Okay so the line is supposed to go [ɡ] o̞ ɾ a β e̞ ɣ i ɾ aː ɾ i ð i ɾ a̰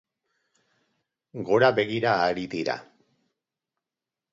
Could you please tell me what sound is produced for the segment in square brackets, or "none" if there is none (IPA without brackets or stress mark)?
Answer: ɡ